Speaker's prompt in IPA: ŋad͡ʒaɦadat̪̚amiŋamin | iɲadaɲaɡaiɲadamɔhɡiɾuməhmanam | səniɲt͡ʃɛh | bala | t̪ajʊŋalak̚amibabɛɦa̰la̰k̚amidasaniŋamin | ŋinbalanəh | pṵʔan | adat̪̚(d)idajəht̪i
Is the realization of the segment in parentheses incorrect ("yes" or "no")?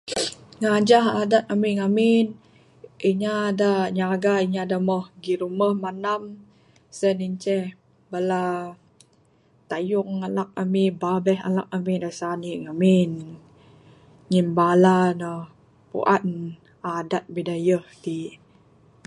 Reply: yes